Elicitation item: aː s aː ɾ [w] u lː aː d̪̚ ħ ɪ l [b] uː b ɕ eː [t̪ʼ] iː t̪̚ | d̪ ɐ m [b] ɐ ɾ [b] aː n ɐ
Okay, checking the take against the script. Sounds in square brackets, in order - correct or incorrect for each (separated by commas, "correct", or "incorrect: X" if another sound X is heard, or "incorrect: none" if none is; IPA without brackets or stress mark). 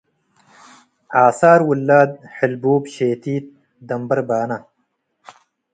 correct, correct, incorrect: t̪, correct, correct